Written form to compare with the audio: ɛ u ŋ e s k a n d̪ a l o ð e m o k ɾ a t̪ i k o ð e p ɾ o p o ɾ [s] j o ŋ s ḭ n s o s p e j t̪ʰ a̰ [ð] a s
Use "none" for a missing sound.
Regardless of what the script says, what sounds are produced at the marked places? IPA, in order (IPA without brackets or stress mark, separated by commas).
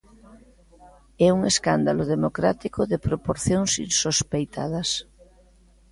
θ, ð